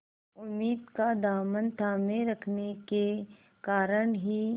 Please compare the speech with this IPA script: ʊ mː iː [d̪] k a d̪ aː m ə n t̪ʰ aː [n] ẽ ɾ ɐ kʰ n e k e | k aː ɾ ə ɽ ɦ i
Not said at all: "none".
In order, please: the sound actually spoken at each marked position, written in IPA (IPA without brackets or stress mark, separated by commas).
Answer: d̪, m